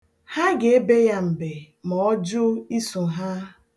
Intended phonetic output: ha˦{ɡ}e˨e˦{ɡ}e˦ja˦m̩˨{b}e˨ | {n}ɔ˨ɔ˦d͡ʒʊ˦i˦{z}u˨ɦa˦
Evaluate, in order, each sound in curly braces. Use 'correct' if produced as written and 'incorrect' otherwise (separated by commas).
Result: correct, incorrect, correct, incorrect, incorrect